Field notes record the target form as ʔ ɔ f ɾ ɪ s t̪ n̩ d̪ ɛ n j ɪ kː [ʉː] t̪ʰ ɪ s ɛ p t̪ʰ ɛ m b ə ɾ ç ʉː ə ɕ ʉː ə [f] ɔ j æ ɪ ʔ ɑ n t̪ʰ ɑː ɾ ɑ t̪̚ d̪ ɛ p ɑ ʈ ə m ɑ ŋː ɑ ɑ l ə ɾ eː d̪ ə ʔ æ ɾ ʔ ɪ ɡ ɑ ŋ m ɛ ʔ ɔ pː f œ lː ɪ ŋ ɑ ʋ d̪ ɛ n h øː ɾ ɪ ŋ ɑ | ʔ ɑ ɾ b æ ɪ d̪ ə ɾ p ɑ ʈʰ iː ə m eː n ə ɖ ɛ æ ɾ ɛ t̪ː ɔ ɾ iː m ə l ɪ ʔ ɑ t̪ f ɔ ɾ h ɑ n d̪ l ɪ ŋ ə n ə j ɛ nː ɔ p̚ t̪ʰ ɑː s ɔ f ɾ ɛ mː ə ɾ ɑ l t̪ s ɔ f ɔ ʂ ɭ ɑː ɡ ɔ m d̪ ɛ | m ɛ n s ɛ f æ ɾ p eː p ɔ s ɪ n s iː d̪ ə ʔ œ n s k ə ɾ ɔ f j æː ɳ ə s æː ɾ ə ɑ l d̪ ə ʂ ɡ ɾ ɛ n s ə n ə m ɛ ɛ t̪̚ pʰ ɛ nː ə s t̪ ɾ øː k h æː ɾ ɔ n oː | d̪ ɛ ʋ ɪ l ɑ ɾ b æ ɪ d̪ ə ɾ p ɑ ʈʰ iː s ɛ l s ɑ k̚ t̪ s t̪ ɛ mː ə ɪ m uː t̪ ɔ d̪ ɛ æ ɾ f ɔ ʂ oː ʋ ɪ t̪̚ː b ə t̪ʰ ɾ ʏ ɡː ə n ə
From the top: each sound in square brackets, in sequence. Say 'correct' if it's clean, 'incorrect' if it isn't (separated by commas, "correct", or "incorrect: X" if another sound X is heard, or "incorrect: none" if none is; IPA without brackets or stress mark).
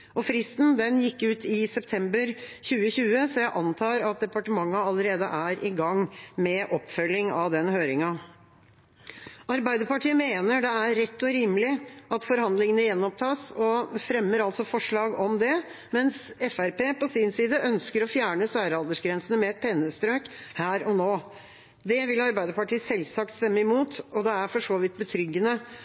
correct, incorrect: s